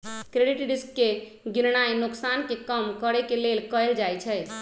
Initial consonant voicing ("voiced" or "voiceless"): voiceless